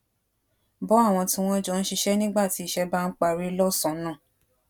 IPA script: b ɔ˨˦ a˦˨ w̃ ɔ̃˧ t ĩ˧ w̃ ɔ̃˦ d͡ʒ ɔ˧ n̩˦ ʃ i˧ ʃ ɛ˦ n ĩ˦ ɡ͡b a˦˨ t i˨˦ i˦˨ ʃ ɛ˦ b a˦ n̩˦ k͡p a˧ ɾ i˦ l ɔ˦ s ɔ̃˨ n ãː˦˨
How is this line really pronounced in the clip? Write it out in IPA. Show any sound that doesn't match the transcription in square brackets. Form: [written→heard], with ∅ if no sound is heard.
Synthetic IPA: b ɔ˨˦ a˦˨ w̃ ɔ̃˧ t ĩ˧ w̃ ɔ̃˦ d͡ʒ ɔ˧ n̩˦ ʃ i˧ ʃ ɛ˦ n ĩ˦ ɡ͡b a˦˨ t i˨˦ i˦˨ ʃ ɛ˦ b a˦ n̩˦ k͡p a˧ ɾ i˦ l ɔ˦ s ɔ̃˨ n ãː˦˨